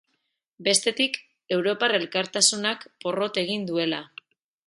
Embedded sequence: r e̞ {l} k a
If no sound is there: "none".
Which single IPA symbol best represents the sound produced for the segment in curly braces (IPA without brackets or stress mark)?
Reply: l